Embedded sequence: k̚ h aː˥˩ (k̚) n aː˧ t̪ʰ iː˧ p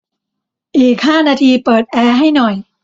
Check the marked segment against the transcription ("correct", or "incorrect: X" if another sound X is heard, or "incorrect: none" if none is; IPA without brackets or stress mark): incorrect: none